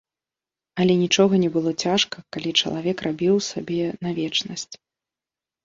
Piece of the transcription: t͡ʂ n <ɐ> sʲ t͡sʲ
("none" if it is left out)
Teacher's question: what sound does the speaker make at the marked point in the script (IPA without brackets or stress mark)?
ɐ